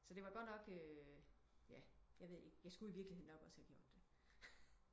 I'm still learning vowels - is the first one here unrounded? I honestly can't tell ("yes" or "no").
no